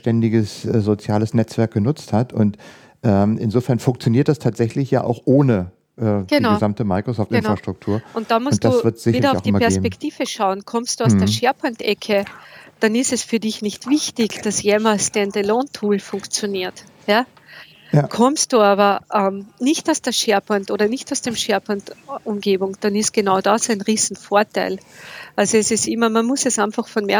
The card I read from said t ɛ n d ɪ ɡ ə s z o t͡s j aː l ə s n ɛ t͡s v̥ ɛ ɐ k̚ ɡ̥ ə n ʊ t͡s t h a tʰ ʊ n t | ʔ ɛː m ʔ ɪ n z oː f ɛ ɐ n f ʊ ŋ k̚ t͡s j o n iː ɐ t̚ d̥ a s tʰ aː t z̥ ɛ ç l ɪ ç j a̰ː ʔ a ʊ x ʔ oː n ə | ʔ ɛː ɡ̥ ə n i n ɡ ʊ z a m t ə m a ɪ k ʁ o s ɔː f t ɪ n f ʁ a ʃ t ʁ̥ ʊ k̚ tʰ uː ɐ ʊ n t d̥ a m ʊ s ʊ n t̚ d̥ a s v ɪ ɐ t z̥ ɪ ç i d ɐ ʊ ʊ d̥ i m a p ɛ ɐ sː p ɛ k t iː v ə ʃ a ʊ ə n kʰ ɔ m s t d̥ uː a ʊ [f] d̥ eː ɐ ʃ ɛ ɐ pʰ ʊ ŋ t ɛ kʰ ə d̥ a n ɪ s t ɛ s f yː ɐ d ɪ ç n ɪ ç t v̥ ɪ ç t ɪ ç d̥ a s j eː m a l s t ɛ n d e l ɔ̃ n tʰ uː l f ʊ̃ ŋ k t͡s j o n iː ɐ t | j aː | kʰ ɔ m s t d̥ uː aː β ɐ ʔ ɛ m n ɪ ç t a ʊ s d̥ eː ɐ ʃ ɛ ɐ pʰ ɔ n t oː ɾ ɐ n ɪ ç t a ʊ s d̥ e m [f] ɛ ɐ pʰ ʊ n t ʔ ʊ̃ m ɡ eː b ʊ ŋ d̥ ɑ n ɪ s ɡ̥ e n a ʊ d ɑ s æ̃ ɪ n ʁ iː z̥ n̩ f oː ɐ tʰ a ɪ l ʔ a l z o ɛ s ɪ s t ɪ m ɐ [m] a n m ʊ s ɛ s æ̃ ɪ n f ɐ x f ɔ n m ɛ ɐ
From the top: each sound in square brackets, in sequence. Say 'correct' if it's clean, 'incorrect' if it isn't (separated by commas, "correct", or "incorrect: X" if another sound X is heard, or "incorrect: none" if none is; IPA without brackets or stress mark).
incorrect: s, incorrect: ʃ, correct